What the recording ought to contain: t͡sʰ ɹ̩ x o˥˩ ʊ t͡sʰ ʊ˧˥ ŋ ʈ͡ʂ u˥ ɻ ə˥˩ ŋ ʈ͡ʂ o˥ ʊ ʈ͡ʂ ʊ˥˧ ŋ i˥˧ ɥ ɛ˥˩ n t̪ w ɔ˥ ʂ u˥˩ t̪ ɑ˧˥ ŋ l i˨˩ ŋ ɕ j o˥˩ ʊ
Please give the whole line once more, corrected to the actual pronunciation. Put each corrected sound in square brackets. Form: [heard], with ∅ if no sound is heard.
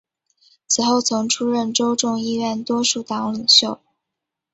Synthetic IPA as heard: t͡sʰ ɹ̩ x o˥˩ ʊ t͡sʰ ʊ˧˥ ŋ [ʈ͡ʂʰ] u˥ ɻ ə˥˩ [n] ʈ͡ʂ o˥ ʊ ʈ͡ʂ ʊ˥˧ ŋ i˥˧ ɥ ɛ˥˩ n t̪ w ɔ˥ ʂ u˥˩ t̪ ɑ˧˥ ŋ l i˨˩ ŋ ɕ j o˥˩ ʊ